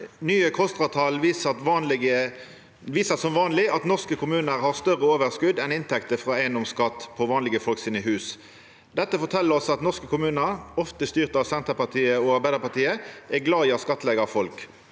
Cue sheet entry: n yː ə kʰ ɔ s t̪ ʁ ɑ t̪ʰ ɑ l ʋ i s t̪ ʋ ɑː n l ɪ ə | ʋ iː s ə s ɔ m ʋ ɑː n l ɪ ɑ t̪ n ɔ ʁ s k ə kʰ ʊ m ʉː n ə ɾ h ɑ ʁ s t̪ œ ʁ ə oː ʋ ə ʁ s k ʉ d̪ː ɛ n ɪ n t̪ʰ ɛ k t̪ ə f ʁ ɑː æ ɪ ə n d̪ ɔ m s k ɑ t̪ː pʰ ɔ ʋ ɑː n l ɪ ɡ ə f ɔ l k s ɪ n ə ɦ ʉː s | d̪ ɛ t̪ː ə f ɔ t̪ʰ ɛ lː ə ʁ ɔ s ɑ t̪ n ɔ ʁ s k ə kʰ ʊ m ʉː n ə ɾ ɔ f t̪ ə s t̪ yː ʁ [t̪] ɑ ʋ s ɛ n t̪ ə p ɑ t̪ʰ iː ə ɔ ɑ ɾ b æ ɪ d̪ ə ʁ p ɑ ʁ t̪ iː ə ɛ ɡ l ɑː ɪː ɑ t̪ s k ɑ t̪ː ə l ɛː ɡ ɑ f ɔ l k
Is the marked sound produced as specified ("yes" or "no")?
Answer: yes